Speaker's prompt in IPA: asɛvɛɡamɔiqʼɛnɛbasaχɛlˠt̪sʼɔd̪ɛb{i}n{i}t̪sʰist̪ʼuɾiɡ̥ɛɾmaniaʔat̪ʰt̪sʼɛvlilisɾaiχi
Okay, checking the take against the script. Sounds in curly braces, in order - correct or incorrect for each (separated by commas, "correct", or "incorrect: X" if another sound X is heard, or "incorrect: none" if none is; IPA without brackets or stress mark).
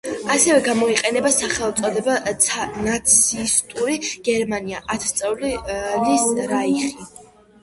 incorrect: a, incorrect: a